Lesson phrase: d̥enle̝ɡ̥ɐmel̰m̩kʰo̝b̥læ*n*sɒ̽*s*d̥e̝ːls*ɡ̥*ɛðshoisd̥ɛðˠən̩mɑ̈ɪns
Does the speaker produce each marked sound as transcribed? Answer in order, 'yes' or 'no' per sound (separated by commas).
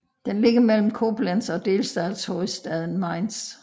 yes, no, no